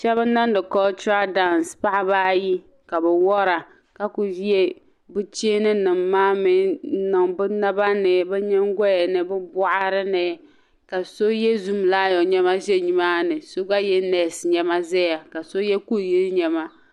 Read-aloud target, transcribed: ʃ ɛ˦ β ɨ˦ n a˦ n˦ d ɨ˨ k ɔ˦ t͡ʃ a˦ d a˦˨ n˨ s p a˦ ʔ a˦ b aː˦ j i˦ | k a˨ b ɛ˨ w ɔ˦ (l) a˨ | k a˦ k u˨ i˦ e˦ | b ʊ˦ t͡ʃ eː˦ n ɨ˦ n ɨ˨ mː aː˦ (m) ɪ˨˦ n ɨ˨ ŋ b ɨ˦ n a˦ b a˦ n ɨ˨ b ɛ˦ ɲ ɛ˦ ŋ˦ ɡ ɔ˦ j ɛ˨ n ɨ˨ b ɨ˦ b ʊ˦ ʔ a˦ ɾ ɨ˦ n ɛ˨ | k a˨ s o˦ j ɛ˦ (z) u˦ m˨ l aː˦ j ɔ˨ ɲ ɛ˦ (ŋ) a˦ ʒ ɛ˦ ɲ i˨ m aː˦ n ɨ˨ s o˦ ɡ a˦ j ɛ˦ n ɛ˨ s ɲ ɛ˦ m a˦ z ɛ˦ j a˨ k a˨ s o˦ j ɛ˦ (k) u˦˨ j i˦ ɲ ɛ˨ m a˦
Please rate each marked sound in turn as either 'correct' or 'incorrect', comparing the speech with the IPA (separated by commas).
incorrect, correct, correct, incorrect, correct